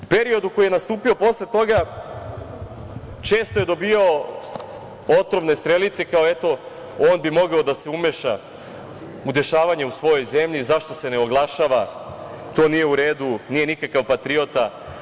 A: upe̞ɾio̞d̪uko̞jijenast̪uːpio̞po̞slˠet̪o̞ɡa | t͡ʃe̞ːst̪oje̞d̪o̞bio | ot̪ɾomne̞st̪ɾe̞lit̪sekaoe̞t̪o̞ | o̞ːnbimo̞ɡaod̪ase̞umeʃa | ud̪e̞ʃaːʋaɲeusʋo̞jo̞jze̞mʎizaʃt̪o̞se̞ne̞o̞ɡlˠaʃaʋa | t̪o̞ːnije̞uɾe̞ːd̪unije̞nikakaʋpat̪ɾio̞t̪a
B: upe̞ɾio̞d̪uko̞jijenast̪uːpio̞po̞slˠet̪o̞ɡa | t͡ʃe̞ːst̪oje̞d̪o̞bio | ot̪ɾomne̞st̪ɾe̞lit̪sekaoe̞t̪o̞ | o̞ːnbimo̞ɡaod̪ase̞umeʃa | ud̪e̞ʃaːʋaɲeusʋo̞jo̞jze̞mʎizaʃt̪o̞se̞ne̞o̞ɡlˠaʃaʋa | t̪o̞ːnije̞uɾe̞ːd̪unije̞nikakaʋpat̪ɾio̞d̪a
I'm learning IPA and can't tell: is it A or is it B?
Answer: A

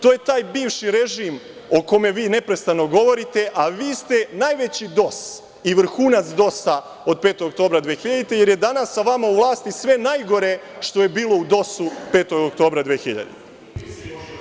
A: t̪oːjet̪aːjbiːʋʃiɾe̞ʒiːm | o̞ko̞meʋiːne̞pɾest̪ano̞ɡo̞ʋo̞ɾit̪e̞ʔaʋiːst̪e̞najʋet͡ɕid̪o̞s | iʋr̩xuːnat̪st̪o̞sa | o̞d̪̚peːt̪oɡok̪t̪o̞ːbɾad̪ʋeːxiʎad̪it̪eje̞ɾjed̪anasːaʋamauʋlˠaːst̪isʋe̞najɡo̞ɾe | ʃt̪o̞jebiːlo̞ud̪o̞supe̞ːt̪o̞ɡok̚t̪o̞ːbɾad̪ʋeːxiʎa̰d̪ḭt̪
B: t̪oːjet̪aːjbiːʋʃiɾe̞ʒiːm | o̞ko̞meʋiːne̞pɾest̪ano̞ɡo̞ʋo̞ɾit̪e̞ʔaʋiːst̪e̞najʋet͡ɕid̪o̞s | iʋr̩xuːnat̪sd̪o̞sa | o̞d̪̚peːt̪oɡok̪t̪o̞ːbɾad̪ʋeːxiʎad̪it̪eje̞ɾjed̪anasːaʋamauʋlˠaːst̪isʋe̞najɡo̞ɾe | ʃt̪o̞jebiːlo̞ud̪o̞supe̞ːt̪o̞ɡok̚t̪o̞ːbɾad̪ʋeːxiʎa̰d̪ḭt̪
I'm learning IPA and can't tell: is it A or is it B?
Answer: B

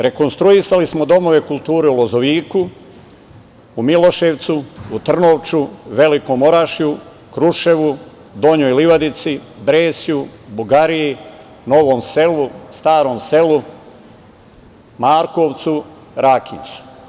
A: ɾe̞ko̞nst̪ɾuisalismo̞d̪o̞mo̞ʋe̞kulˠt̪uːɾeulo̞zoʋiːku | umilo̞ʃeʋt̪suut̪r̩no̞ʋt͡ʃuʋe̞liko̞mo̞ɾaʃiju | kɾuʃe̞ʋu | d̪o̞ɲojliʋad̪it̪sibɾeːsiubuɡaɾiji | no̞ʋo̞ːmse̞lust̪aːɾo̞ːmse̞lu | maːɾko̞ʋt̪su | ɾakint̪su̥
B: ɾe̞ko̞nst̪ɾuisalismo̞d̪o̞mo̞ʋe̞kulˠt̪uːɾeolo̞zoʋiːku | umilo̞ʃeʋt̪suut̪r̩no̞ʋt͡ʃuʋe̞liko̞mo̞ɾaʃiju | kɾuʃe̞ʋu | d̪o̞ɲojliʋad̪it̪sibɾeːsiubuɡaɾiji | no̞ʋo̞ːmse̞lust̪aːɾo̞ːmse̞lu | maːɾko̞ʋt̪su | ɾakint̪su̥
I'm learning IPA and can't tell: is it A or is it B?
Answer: A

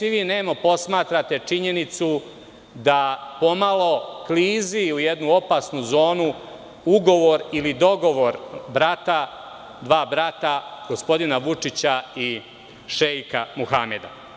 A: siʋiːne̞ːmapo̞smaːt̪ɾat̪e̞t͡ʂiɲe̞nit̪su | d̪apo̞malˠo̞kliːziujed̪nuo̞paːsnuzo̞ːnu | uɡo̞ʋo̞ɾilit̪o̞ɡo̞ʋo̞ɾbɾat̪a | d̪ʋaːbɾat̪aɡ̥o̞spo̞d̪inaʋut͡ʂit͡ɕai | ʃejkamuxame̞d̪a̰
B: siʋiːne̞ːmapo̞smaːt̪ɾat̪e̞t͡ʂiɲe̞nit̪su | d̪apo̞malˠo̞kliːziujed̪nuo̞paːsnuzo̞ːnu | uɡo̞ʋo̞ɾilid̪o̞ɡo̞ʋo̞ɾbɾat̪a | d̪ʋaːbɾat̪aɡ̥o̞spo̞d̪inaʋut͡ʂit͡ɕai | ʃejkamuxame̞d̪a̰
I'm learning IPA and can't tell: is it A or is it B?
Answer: B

